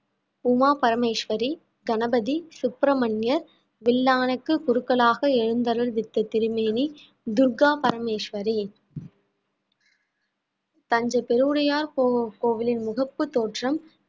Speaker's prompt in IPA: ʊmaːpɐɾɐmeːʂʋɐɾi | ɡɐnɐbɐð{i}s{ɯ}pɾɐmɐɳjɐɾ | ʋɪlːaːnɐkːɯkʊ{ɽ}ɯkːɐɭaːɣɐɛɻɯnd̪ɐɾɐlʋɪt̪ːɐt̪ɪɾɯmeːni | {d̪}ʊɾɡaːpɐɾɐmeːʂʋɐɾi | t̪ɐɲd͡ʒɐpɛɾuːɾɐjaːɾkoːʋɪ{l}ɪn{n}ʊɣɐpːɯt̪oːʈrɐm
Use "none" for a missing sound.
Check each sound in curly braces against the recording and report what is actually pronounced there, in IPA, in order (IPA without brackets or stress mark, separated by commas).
i, ʊ, ɾ, d̪, l, m